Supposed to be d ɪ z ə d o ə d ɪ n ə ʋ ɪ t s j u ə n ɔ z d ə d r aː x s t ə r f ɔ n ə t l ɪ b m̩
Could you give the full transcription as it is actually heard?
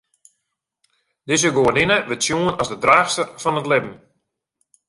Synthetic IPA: d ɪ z ə ɡ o ə n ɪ n ə ʋ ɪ t s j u ə n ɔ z d ə d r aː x s t ə r f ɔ n ə t l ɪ b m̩